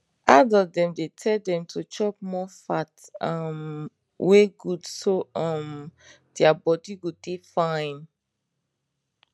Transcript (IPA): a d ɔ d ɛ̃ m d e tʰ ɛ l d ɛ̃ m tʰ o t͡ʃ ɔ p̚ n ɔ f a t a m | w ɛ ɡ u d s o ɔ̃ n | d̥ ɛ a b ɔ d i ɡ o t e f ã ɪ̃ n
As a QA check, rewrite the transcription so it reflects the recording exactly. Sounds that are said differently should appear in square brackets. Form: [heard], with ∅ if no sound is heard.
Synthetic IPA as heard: a d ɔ d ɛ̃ m d e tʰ ɛ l d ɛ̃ m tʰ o t͡ʃ ɔ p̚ [m] ɔ f a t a m | w [e] ɡ u d s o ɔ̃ [m] | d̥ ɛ a b ɔ d i ɡ o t e f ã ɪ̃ n